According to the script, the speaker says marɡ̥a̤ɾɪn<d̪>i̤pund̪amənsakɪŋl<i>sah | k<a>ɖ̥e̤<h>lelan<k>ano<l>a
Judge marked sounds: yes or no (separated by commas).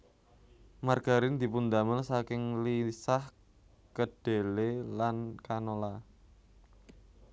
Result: yes, yes, no, no, yes, yes